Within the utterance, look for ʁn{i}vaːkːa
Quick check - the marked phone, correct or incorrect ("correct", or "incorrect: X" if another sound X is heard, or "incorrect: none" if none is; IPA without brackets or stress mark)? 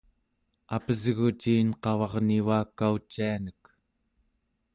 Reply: correct